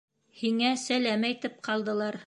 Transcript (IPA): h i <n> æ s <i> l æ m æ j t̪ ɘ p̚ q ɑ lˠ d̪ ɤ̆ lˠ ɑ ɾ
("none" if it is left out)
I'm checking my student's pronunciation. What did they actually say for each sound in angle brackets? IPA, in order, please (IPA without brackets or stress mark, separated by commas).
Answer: ŋ, æ